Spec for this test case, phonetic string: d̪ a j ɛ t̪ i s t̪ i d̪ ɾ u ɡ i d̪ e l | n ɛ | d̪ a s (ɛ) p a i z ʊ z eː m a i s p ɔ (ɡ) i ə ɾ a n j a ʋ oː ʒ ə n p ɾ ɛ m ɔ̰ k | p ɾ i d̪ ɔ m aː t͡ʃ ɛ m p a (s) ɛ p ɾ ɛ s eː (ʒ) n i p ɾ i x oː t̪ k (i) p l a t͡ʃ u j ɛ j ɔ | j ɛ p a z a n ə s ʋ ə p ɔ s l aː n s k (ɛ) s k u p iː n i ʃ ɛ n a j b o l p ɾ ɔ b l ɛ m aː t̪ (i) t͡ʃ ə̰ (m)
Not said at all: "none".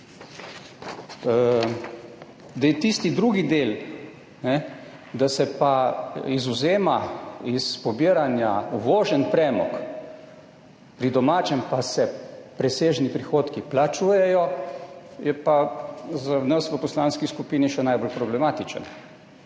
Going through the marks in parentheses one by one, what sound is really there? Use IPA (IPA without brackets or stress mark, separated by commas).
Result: ɛ, b, s, ʒ, i, i, i, n